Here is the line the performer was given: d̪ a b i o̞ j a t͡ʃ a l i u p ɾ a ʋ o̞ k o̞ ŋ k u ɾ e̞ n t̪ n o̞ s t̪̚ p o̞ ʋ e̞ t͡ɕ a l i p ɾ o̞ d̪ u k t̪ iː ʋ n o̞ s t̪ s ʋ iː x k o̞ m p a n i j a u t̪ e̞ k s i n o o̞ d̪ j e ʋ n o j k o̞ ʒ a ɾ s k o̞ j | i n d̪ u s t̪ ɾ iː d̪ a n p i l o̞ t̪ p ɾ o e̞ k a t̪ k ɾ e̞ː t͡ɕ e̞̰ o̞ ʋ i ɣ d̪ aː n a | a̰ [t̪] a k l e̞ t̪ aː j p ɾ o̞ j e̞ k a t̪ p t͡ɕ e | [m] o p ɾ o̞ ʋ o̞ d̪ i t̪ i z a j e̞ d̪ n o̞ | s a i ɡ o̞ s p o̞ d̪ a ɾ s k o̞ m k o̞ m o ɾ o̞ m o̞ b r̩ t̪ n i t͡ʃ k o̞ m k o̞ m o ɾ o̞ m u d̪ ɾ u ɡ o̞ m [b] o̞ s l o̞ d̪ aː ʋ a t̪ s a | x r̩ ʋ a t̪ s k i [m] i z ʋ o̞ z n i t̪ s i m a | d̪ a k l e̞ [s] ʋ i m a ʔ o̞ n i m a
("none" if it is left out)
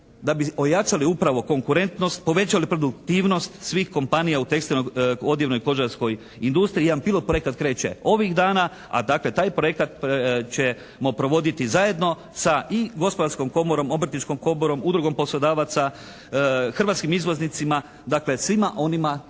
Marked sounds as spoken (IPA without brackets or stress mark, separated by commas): d̪, m, p, m, s